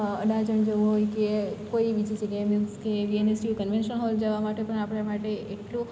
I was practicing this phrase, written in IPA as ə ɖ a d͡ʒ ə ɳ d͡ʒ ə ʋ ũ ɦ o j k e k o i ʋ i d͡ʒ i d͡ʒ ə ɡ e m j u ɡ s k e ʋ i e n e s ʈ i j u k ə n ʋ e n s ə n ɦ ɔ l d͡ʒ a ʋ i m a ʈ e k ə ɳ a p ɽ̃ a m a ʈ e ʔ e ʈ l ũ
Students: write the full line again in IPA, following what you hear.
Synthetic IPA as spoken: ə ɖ a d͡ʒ ə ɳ d͡ʒ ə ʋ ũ ɦ o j k e k o i ʋ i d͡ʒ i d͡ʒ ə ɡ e m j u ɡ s k e ʋ i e n e s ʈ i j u k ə n ʋ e n ʃ ə n ɦ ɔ l d͡ʒ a ʋ a m a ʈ e p ə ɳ a p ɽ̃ a m a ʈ e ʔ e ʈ l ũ